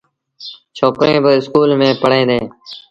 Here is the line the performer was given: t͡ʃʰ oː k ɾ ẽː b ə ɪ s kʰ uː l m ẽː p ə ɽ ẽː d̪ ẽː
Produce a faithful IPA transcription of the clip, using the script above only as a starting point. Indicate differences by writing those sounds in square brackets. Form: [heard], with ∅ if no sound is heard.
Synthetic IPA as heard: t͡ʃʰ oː k ɾ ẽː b ə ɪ s [k] uː l m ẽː p ə ɽ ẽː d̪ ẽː